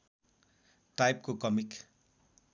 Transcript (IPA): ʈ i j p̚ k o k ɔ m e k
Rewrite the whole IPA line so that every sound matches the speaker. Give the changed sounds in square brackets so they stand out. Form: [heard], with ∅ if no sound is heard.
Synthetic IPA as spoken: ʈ [a] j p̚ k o k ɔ m [i] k

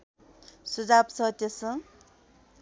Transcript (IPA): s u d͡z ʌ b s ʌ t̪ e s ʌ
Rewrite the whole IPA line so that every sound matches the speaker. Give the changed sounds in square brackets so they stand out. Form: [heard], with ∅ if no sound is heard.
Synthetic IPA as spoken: s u d͡z [a] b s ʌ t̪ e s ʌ

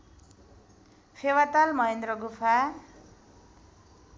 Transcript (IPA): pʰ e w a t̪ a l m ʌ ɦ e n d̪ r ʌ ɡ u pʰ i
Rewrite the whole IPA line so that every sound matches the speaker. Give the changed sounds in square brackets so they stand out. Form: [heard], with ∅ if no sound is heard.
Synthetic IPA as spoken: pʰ e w a t̪ a l m ʌ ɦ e n d̪ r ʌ ɡ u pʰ [a]

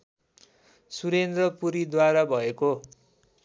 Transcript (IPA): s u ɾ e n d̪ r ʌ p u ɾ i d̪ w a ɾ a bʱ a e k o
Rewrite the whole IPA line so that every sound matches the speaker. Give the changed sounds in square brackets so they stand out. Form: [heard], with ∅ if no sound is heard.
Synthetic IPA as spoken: s u ɾ e n d̪ r ʌ p u ɾ i d̪ w a ɾ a bʱ [ʌ] e k o

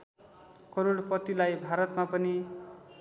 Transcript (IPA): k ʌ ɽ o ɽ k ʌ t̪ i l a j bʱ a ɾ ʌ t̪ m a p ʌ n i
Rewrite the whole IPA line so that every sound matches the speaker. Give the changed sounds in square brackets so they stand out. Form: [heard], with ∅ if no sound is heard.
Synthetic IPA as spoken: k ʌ [ɾ] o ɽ [p] ʌ t̪ i l a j bʱ a ɾ ʌ t̪ m a p ʌ n i

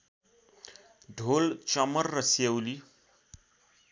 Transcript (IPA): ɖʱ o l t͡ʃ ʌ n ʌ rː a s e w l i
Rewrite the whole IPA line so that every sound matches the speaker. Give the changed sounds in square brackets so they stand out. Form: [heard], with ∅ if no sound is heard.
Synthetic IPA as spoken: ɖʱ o l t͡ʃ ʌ [m] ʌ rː [ʌ] s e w l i

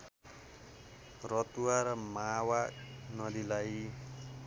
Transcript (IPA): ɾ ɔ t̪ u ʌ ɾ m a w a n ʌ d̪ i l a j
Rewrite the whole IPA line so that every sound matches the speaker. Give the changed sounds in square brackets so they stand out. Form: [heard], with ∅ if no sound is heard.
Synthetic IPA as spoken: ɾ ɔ t̪ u [a] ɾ m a w a n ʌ d̪ i l a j

